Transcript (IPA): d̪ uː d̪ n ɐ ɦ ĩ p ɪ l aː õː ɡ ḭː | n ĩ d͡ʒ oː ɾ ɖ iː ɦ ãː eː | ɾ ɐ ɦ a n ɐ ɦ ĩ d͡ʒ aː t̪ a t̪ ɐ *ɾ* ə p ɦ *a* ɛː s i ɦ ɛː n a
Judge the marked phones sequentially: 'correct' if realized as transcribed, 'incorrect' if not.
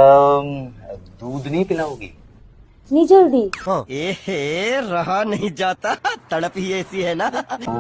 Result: incorrect, incorrect

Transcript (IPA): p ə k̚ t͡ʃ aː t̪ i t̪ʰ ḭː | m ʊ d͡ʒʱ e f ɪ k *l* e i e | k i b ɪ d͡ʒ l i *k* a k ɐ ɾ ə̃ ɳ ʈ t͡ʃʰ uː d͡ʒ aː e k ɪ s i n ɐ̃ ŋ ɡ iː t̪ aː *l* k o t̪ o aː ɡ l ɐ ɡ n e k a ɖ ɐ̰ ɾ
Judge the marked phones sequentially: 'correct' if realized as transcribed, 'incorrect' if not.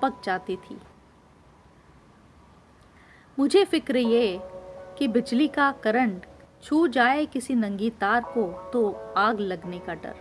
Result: incorrect, correct, incorrect

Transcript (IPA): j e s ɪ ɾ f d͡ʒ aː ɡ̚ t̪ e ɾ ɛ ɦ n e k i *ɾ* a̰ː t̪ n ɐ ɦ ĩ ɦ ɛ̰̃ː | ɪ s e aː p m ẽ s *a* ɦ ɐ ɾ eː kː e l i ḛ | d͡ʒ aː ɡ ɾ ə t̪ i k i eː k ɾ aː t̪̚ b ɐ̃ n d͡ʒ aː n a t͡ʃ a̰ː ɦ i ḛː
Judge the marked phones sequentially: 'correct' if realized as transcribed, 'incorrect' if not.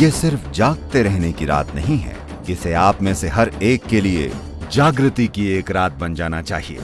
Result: correct, incorrect

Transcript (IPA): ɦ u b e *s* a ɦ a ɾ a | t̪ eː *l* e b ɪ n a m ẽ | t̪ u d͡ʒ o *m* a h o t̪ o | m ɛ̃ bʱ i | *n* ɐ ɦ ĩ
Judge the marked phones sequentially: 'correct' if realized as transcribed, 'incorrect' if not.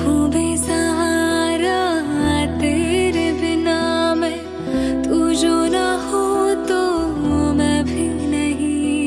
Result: correct, incorrect, incorrect, correct

